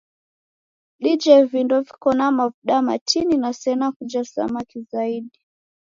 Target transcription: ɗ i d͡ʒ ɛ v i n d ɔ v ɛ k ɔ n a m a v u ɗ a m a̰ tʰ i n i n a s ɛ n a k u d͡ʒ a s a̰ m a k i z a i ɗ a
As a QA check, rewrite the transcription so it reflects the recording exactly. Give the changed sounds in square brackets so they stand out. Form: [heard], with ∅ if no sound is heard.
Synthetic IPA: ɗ i d͡ʒ ɛ v i n d ɔ v [i] k ɔ n a m a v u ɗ a m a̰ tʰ i n i n a s ɛ n a k u d͡ʒ a s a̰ m a k i z a i ɗ [i]